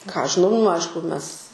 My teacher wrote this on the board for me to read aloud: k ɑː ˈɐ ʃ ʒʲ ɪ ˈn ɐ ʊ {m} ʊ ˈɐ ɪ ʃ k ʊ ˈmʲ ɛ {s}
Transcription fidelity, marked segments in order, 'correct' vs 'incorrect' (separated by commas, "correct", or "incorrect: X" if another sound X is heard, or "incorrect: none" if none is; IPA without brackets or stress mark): incorrect: n, correct